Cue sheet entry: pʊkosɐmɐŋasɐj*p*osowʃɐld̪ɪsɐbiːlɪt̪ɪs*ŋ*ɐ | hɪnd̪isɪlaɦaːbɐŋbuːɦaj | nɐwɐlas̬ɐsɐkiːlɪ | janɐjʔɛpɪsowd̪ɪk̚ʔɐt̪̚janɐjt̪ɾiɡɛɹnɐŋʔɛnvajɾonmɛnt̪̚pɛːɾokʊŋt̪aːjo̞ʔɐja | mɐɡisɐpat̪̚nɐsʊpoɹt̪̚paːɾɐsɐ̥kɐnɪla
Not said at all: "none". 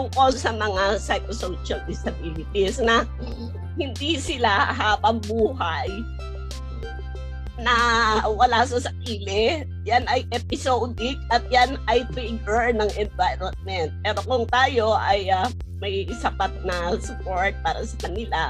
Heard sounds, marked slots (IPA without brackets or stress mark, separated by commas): k, n